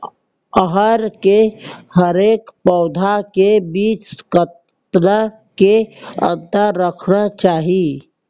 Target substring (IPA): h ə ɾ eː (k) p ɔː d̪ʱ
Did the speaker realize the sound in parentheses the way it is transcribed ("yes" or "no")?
yes